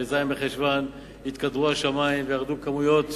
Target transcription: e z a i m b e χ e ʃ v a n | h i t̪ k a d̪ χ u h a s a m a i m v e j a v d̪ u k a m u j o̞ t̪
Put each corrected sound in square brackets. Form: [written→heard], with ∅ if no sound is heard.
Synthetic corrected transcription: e z a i m b e χ e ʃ v a n | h i t̪ k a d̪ [χ→ʁ] u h a [s→ʃ] a m a i m v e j a [v→ʁ] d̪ u k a m u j o̞ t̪